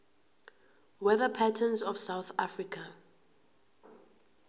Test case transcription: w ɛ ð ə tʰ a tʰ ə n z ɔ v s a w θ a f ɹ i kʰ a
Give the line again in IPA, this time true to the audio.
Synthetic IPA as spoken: w ɛ ð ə pʰ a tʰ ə n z ɔ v s a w θ a f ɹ i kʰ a